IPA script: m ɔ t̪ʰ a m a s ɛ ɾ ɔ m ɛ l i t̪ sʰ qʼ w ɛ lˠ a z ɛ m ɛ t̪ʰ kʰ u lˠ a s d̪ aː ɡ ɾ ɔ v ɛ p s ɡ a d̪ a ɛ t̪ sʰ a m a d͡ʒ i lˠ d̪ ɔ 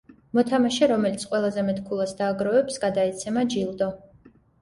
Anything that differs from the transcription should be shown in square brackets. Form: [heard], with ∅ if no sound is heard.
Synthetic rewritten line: m ɔ t̪ʰ a m a [ʃ] ɛ ɾ ɔ m ɛ l i t̪ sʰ qʼ w ɛ lˠ a z ɛ m ɛ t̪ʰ kʰ u lˠ a s d̪ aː ɡ ɾ ɔ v ɛ p s ɡ a d̪ a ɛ t̪ sʰ [ɛ] m a d͡ʒ i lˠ d̪ ɔ